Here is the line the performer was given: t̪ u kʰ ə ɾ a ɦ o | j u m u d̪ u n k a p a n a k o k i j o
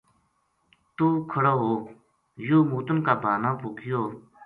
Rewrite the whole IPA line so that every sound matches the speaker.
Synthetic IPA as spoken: t̪ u kʰ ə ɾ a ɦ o | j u m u t̪ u n k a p a n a p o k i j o